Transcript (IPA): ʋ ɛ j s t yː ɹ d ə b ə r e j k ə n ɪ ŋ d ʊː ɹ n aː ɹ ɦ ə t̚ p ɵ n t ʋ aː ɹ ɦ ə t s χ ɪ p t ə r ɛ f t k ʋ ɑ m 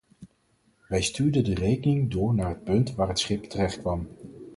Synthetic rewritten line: ʋ ɛ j s t yː ɹ d ə d ə r e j k ə n ɪ ŋ d ʊː ɹ n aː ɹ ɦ ə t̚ p ɵ n t ʋ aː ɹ ɦ ə t s χ ɪ p t ə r ɛ χ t k ʋ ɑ m